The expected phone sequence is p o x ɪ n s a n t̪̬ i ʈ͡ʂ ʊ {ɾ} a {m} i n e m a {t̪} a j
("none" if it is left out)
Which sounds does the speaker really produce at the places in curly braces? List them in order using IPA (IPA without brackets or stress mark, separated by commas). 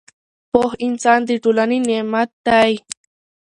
l, n, t̪